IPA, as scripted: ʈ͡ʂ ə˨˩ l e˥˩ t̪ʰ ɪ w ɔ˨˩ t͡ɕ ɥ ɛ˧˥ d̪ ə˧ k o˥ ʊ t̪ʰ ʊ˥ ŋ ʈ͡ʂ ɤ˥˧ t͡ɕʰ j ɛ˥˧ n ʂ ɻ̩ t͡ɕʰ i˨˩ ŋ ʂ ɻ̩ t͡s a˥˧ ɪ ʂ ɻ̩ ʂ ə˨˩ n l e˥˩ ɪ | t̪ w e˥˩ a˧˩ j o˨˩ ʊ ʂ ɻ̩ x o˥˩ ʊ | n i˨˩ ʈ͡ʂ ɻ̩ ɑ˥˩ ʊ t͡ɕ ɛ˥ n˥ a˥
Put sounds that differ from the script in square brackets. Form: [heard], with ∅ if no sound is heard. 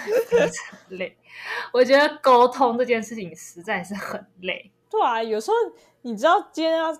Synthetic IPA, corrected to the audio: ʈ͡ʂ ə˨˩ l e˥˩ [∅] ɪ w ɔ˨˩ t͡ɕ ɥ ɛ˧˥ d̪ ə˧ k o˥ ʊ t̪ʰ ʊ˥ ŋ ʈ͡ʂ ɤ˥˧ [t͡ɕ] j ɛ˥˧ n ʂ ɻ̩ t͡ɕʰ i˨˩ ŋ ʂ ɻ̩ t͡s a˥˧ ɪ ʂ ɻ̩ [x] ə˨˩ n l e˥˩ ɪ | t̪ w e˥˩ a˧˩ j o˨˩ ʊ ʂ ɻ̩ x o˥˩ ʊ | n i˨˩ ʈ͡ʂ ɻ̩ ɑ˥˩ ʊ t͡ɕ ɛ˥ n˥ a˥